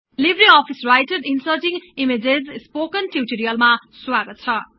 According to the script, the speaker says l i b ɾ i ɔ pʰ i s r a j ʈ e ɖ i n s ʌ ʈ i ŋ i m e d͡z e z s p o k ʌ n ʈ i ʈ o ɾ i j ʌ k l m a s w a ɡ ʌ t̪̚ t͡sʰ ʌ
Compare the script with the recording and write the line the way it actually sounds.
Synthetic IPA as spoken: l i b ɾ i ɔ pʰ i s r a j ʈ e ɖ i n s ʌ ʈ i ŋ i m e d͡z e z s p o k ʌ n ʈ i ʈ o ɾ i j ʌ l m a s w a ɡ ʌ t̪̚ t͡sʰ ʌ